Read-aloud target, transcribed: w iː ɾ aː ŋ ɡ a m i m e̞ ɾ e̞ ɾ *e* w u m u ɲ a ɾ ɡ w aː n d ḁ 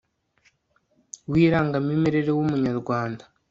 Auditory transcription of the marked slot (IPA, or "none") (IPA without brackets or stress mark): e